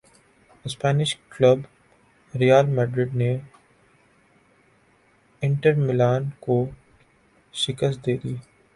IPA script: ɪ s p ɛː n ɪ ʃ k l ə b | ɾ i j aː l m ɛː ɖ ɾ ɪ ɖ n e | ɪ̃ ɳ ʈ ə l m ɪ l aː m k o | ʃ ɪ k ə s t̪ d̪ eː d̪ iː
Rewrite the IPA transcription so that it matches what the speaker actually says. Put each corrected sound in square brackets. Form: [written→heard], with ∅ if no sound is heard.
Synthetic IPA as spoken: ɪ s p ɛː n ɪ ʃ k l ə b | ɾ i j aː l m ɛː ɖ ɾ ɪ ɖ n e | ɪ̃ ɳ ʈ ə [l→ɾ] m ɪ l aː [m→n] k o | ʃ ɪ k ə s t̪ d̪ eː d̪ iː